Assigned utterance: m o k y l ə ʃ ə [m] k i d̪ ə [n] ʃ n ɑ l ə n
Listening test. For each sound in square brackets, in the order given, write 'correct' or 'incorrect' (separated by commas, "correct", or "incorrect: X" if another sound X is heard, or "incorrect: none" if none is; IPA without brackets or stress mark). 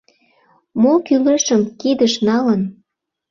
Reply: correct, incorrect: none